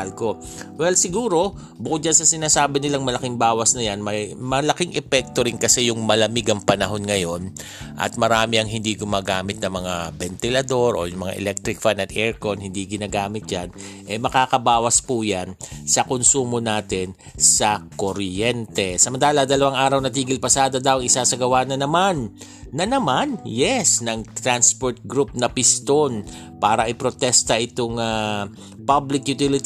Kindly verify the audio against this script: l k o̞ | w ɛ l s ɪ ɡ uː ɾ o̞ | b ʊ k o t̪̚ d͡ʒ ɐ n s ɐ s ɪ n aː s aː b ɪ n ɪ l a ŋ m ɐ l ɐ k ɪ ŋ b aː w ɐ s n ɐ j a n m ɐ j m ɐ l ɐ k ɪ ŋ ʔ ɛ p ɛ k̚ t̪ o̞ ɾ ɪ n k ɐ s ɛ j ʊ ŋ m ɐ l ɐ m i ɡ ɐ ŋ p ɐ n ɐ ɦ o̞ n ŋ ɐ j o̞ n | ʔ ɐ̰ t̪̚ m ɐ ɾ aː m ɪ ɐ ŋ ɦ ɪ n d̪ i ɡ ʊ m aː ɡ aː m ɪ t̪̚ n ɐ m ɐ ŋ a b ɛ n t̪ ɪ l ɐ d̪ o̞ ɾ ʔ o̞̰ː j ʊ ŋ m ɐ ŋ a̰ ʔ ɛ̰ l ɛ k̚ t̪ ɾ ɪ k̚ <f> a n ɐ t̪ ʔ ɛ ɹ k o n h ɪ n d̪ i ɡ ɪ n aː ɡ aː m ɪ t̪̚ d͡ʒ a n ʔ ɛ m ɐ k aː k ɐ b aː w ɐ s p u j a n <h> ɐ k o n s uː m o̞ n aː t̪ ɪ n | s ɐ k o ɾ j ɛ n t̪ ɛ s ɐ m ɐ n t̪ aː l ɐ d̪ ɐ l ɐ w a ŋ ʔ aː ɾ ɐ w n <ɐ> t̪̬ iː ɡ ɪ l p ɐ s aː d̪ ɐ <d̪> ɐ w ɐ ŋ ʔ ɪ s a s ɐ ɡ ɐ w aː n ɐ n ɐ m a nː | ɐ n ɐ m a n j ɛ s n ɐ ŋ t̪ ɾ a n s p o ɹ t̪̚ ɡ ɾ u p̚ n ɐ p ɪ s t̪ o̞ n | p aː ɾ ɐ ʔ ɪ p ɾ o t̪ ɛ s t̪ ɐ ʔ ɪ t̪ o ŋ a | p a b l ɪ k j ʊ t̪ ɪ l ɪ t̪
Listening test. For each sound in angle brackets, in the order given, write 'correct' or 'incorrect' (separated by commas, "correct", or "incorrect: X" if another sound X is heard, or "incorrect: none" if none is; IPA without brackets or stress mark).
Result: correct, incorrect: s, correct, correct